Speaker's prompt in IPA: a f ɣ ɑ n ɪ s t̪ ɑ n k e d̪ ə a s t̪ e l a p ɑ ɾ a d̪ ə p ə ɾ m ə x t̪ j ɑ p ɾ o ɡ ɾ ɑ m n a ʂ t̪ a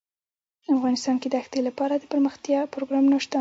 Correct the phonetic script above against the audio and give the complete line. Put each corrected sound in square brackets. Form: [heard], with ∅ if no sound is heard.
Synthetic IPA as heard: a f ɣ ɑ n ɪ s t̪ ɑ n k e d̪ ə a [x] t̪ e l a p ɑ ɾ a d̪ ə p ə ɾ m ə x t̪ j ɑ p ɾ o ɡ ɾ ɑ m n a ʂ t̪ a

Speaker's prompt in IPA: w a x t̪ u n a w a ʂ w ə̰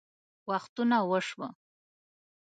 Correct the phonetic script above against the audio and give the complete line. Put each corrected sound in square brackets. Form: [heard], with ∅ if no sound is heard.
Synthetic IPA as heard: w a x t̪ u n a w [ə] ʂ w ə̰

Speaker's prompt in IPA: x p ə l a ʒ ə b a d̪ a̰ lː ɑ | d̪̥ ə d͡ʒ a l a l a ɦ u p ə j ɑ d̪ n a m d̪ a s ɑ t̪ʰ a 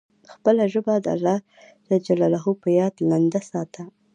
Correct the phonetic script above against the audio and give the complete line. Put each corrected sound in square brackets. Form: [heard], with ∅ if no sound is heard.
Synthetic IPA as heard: x p ə l a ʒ ə b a d̪ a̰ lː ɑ | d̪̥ ə d͡ʒ a l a l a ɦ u p ə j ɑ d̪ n a [n] d̪ a s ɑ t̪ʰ a

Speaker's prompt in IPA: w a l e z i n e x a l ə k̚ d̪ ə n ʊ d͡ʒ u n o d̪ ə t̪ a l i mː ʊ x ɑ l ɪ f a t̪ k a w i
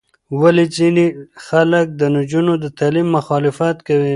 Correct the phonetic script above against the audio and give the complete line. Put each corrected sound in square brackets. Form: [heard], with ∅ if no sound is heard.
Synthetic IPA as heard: w a l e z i n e x a l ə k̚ d̪ ə n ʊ d͡ʒ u n o d̪ ə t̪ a l i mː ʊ x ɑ l ɪ f a t̪ k a w i

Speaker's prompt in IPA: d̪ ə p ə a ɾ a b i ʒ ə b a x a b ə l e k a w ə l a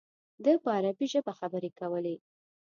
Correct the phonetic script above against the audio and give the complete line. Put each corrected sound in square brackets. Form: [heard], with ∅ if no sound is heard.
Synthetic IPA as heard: d̪ ə p ə a ɾ a b i ʒ ə b a x a b ə [ɾ] e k a w ə l [e]

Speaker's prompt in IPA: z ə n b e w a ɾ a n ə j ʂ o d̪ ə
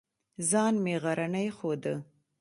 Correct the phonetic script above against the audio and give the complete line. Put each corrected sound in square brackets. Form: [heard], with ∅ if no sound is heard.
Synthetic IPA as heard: z [ɑ] n [m] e [ɣ] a ɾ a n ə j [x] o d̪ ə

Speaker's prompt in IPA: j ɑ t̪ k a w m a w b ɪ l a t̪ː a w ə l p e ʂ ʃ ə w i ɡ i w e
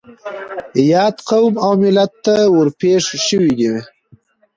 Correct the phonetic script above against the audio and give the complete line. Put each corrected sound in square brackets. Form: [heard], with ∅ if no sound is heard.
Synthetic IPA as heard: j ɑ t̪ [q] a w m a w [m] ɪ l a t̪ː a w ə [ɾ] p e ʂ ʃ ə w i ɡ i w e

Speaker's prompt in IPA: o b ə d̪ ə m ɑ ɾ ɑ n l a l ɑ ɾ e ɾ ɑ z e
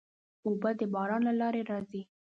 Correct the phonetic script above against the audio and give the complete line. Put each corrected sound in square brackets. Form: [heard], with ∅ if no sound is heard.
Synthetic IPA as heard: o b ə d̪ ə [b] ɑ ɾ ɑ n l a l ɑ ɾ e ɾ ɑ z [i]

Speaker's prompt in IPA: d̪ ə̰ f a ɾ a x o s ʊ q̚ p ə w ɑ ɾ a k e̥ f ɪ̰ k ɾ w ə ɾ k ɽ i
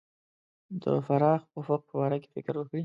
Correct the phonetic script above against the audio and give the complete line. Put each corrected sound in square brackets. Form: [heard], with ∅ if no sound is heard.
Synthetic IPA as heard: d̪ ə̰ f a ɾ [ɑ] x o [f] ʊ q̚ p ə w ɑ ɾ a k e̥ f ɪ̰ k ɾ w ə [∅] k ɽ i

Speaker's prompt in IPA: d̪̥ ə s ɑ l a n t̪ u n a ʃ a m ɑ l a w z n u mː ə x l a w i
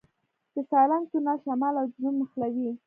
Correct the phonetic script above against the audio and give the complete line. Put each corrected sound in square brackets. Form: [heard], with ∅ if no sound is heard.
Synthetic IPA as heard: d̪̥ ə s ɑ l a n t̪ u n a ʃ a m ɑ l a w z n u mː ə x l a w i

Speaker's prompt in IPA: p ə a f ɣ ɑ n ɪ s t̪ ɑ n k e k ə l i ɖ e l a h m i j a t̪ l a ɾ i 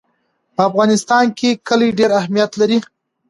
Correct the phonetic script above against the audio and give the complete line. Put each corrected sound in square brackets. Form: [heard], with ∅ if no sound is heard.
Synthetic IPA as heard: p ə a f ɣ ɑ n ɪ s t̪ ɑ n k e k ə l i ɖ e [ɾ] a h m i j a t̪ l a ɾ i

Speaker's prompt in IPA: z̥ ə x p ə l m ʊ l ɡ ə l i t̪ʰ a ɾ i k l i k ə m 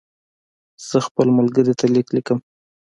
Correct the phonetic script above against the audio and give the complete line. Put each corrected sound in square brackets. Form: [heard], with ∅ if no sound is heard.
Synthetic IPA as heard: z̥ ə x p ə l m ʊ l ɡ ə [ɾ] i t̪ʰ a [l] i k l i k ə m

